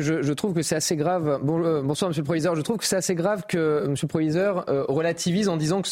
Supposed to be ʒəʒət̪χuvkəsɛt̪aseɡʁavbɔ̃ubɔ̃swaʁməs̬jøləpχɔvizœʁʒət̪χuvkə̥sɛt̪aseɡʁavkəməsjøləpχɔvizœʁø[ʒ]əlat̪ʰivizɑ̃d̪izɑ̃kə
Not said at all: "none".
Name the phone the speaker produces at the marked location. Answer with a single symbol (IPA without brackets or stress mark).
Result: ʁ